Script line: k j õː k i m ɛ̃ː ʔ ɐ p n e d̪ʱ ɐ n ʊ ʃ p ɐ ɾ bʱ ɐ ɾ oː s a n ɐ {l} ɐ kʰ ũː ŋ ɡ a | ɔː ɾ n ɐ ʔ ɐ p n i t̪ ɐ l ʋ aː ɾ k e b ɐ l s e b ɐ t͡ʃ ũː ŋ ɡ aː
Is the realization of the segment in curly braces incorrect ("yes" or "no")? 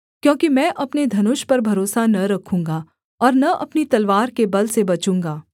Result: yes